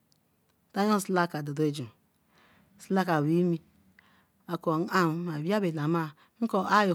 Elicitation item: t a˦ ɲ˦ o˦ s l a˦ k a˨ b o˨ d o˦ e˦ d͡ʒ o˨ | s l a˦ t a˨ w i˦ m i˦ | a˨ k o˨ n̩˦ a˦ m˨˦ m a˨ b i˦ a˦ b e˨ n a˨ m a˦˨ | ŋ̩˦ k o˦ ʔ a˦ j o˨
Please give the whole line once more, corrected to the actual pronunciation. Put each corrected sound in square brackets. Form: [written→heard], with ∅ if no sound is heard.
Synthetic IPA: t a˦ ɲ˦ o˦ s l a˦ k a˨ [b→d] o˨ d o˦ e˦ d͡ʒ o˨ | s l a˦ [t→k] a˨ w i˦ m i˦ | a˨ k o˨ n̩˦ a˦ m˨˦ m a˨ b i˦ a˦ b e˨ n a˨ m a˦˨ | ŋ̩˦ k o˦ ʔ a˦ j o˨